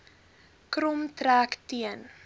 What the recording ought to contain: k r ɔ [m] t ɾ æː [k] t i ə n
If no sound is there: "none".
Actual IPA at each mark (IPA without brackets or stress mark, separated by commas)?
m, k